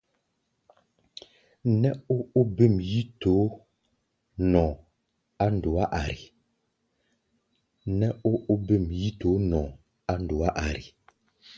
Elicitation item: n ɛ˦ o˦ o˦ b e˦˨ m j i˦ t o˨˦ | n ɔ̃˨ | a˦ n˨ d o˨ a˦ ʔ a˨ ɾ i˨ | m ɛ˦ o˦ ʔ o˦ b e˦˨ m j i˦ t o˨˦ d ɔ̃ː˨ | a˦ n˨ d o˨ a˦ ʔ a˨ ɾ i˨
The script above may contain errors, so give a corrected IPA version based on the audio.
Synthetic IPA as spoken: n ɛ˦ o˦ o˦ b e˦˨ m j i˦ t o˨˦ | n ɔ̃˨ | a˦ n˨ d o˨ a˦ ʔ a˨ ɾ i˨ | n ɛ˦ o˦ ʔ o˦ b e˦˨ m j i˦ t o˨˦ n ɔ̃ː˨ | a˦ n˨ d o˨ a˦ ʔ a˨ ɾ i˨